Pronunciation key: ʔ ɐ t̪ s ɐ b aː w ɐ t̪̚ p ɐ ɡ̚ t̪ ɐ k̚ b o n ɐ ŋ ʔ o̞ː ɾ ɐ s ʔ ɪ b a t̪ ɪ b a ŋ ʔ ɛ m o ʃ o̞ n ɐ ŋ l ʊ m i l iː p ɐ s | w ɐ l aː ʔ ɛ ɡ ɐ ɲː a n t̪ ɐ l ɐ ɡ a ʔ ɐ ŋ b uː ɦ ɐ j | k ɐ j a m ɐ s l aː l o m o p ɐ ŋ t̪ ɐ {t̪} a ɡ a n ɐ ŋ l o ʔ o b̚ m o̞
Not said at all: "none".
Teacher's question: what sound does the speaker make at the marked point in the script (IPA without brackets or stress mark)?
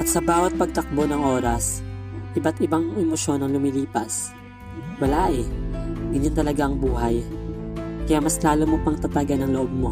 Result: t̪